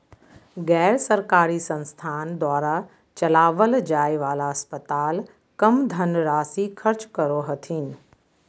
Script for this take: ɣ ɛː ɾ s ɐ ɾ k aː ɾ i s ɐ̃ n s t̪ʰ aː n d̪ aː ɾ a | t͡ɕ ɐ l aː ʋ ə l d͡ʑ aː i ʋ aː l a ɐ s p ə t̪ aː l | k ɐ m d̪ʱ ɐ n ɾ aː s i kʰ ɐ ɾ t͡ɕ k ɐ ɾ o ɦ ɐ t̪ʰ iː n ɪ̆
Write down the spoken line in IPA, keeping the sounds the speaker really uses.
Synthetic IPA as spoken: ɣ ɛː ɾ s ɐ ɾ k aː ɾ i s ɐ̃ n s t̪ʰ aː n d̪ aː ɾ a | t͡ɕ ɐ l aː ʋ ə l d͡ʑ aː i ʋ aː l a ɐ s p ə t̪ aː l | k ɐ m d̪ʱ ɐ n ɾ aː s i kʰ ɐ ɾ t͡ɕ k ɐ ɾ o ɦ ɐ t̪ʰ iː n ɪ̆